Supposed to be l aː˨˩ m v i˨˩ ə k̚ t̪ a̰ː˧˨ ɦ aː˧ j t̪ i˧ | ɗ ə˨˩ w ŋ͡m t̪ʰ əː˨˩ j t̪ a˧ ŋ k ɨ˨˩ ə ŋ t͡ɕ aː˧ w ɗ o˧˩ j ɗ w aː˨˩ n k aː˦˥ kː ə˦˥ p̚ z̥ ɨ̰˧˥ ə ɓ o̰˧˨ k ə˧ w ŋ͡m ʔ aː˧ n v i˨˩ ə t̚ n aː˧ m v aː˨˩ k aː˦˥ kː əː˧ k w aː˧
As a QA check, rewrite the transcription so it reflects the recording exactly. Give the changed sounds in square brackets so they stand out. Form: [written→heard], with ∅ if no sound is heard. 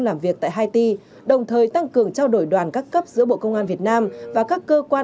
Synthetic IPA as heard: l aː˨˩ m v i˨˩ ə k̚ t̪ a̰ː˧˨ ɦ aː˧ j t̪ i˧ | ɗ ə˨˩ w ŋ͡m t̪ʰ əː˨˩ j t̪ a˧ ŋ k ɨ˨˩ ə ŋ t͡ɕ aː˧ w ɗ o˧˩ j ɗ w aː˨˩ n k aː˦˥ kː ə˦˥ p̚ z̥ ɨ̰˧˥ ə ɓ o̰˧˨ k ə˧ w ŋ͡m ʔ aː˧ n v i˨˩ ə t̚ n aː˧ m v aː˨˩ k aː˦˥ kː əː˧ k w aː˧